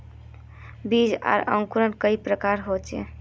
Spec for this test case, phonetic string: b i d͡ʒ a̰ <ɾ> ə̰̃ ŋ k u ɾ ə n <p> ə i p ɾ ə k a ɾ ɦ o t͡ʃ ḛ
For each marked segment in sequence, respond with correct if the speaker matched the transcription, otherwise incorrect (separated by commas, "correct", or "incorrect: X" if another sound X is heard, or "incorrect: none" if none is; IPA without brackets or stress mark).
correct, incorrect: k